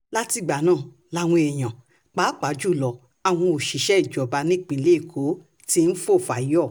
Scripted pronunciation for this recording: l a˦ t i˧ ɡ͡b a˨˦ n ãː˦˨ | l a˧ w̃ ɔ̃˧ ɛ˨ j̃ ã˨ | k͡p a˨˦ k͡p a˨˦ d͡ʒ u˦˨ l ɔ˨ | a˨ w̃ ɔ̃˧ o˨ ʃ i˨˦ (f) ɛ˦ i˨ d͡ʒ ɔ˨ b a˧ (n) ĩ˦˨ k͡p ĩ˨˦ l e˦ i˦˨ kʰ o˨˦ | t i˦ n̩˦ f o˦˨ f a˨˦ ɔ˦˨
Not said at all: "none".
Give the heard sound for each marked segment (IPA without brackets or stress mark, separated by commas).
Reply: ʃ, n